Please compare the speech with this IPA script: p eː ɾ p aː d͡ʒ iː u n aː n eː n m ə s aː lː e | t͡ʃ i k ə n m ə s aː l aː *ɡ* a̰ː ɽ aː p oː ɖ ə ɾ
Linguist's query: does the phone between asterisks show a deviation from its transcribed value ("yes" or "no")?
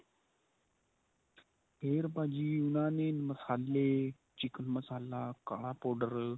yes